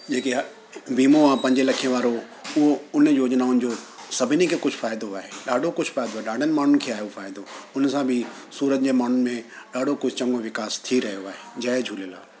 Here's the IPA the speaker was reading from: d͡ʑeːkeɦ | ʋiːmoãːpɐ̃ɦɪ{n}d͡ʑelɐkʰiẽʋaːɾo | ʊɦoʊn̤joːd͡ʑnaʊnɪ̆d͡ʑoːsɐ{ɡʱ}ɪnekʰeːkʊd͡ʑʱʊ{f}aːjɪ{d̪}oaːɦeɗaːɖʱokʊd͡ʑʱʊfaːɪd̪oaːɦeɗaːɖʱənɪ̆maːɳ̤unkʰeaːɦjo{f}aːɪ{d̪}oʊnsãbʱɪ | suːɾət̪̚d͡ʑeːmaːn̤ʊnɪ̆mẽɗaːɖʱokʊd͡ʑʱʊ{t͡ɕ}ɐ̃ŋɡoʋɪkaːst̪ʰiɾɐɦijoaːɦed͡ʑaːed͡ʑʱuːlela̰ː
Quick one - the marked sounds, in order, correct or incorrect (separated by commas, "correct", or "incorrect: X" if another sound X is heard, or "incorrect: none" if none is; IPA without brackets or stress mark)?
incorrect: ɲ, incorrect: bʱ, correct, correct, correct, correct, correct